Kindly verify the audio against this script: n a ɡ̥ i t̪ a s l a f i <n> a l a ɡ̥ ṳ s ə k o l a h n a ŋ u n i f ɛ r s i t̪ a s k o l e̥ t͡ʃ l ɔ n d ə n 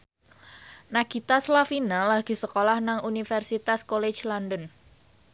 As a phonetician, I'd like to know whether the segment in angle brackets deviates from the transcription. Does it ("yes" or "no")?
no